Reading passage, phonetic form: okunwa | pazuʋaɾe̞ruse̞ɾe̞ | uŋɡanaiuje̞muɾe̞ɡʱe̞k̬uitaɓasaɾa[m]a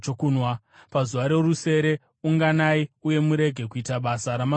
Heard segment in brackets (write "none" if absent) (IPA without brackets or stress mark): m